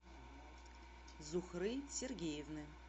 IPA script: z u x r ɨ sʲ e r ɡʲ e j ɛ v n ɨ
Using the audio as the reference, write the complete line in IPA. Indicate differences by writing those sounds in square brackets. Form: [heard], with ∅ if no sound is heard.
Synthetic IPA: z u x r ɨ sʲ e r ɡʲ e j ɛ v n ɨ